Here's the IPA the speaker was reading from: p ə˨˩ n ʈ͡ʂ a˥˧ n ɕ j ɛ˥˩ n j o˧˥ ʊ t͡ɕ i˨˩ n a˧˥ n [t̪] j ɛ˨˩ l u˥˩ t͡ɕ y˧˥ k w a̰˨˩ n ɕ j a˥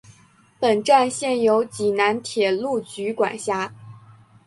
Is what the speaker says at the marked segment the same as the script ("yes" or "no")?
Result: no